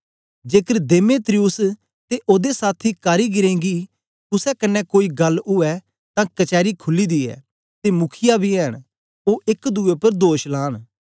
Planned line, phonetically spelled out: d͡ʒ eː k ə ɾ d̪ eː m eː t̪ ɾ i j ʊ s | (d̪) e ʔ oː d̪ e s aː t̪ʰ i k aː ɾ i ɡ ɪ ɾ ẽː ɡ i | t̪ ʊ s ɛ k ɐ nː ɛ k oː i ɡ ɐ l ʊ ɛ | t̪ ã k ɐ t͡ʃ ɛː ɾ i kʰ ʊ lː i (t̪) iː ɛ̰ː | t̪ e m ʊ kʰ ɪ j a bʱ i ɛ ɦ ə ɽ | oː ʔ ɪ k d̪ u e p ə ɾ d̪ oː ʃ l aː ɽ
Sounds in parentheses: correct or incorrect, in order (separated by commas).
incorrect, incorrect